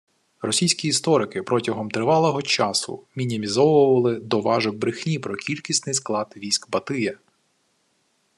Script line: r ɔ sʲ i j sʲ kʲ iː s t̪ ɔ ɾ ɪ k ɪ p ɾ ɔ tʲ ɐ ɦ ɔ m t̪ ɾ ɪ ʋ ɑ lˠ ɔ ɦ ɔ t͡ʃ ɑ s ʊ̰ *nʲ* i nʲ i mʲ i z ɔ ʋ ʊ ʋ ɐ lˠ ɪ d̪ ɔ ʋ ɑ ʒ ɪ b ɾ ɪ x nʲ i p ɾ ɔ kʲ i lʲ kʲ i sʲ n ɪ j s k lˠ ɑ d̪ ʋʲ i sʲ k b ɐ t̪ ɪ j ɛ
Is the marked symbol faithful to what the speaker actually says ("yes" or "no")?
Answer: no